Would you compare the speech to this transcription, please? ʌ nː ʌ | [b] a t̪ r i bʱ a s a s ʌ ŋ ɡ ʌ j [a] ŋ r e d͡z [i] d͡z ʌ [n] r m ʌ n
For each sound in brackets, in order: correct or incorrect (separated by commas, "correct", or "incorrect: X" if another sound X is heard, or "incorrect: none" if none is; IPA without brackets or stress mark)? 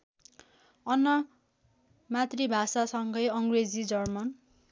incorrect: m, incorrect: ʌ, correct, incorrect: none